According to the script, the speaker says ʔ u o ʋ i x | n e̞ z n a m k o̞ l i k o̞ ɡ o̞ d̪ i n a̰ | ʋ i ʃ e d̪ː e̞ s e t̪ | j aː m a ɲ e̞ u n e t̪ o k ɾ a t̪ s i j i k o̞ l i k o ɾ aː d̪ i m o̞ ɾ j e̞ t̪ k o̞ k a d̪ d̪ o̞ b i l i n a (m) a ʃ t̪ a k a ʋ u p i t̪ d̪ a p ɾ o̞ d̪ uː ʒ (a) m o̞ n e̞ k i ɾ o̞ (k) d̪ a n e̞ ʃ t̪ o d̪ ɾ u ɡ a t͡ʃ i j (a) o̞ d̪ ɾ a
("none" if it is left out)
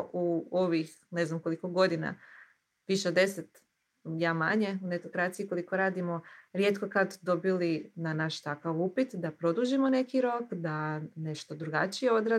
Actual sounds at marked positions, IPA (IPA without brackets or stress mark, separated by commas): n, i, k, e